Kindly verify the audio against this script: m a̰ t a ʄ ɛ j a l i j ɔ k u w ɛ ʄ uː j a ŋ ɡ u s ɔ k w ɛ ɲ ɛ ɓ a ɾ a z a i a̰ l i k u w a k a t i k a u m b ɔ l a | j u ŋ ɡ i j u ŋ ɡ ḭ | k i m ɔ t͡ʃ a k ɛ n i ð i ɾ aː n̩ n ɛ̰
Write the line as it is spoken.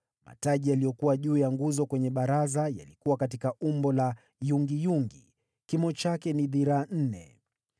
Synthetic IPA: m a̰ t a ʄ i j a l i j ɔ k u w a ʄ uː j a ŋ ɡ u z ɔ k w ɛ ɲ ɛ ɓ a ɾ a z a j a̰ l i k u w a k a t i k a u m b ɔ l a | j u ŋ ɡ i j u ŋ ɡ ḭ | k i m ɔ t͡ʃ a k ɛ n i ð i ɾ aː n̩ n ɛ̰